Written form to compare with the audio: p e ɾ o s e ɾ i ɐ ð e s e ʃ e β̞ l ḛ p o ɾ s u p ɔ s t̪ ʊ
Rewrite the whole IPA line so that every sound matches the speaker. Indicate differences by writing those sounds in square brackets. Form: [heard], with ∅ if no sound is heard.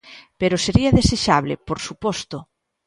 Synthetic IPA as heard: p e ɾ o s e ɾ i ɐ ð e s e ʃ [a] β̞ l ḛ p o ɾ s u p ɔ s t̪ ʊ